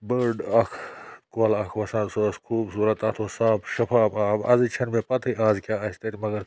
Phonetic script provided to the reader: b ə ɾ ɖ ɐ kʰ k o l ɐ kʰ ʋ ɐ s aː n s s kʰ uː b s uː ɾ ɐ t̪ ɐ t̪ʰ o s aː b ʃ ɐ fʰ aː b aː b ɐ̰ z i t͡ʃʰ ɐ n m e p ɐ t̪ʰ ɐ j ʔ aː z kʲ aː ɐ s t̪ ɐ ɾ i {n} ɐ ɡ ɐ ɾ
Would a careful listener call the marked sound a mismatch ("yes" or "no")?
yes